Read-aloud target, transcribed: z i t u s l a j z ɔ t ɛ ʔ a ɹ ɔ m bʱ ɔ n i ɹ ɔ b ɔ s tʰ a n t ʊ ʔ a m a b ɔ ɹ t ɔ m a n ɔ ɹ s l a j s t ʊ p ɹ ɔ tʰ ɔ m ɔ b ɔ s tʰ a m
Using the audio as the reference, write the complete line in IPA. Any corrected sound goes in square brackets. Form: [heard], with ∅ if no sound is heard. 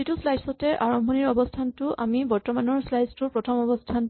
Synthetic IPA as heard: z i t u s l a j [s] ɔ t ɛ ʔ a ɹ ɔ m bʱ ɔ n i ɹ ɔ b ɔ s tʰ a n t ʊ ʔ a m [i] b ɔ ɹ t ɔ m a n ɔ ɹ s l a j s t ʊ p ɹ ɔ tʰ ɔ m ɔ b ɔ s tʰ a [n]